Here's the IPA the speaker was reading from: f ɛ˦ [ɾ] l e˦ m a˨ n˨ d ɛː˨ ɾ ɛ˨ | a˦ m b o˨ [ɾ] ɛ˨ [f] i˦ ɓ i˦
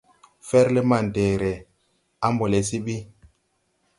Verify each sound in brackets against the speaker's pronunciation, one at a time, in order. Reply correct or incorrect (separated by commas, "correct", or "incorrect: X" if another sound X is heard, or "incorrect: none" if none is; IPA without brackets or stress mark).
correct, incorrect: l, incorrect: s